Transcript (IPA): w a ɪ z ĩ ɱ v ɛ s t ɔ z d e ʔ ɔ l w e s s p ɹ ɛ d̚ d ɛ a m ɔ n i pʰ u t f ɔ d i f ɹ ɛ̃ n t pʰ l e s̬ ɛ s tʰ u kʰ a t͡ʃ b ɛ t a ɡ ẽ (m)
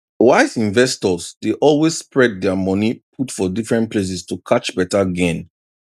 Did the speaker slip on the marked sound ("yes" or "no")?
yes